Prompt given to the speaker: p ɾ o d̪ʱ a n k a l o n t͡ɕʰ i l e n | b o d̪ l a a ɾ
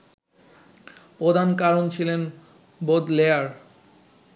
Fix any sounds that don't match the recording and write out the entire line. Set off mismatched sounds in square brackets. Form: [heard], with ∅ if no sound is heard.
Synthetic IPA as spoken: p ɾ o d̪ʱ a n k a [ɾ] o n t͡ɕʰ i l e n | b o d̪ l [e] a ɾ